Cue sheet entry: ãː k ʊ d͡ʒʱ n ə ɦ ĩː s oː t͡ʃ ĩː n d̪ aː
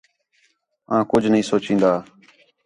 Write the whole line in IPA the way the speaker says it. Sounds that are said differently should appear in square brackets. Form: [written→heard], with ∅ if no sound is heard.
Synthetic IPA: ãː k ʊ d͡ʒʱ n ə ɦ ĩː s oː t͡ʃ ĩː n d̪ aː